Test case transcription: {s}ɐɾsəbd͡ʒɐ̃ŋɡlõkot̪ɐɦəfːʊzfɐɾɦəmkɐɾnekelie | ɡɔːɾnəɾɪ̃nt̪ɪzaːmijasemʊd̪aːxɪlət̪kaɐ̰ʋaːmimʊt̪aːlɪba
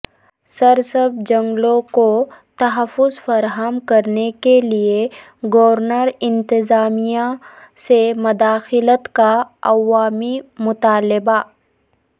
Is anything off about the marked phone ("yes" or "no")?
no